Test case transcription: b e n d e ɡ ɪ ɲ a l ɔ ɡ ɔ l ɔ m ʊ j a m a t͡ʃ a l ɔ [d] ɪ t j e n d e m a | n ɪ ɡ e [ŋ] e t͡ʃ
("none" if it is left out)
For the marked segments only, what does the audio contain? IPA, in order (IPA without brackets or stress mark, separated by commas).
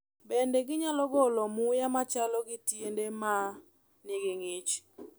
ɡ, ŋ